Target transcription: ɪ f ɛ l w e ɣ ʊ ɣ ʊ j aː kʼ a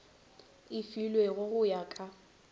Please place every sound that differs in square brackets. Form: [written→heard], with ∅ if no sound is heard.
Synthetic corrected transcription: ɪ f [ɛ→i] l w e ɣ ʊ ɣ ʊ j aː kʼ a

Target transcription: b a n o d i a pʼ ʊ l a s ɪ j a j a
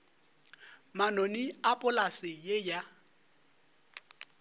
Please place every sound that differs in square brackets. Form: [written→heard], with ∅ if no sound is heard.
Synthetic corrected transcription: [b→m] a n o [d→n] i a pʼ ʊ l a s ɪ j [a→e] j a

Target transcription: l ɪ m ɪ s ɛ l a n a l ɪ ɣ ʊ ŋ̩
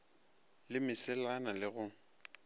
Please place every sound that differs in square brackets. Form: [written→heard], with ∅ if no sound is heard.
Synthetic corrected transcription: l ɪ m ɪ s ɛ l a n a l ɪ ɣ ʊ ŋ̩

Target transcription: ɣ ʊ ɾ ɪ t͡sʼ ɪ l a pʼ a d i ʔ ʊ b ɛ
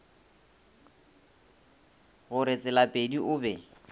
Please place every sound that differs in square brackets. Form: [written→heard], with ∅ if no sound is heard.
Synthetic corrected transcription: ɣ ʊ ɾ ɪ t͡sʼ ɪ l a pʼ [a→e] d i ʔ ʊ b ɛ

